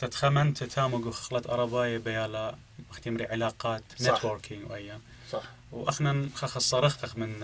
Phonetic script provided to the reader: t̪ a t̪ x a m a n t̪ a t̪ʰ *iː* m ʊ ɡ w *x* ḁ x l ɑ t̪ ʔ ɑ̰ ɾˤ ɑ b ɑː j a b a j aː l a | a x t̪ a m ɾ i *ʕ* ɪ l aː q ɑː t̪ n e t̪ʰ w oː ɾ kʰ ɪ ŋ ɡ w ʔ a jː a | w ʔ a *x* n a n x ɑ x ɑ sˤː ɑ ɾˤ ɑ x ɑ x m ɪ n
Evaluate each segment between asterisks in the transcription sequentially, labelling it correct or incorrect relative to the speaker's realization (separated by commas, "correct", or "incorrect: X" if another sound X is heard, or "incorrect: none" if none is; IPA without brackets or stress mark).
incorrect: aː, correct, correct, correct